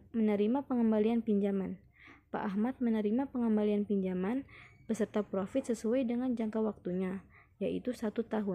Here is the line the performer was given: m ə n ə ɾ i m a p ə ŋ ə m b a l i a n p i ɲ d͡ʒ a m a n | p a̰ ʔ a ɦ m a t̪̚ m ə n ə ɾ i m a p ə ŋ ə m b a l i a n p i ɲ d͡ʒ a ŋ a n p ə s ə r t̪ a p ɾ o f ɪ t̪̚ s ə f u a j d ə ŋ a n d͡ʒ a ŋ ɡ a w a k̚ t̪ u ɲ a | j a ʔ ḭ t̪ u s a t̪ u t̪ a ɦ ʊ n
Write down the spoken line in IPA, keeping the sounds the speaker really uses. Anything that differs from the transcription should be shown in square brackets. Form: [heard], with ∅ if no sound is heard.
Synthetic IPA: m ə n ə ɾ i m a p ə ŋ ə m b a l i a n p i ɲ d͡ʒ a m a n | p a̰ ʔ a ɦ m a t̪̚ m ə n ə ɾ i m a p ə ŋ ə m b a l i a n p i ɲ d͡ʒ a [m] a n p ə s ə r t̪ a p ɾ o f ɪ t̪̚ s ə [s] u a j d ə ŋ a n d͡ʒ a ŋ [k] a w a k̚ t̪ u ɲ a | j a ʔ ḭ t̪ u s a t̪ u t̪ a ɦ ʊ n